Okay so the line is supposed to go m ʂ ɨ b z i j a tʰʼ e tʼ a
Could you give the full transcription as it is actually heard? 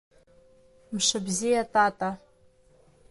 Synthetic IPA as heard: m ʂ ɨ b z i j a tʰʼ a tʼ a